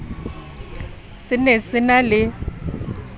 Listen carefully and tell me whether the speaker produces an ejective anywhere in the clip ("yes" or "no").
no